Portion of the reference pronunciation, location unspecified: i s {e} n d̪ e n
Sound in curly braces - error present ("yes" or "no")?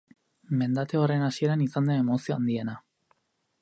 yes